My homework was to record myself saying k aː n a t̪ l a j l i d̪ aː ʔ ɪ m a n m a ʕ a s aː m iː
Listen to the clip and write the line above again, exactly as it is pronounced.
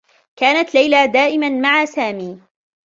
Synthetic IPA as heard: k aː n a t̪ l a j l a d̪ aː ʔ ɪ m a n m a ʕ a s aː m iː